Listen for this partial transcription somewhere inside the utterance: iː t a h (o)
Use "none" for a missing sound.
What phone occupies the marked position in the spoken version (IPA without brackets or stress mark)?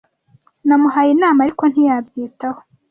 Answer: o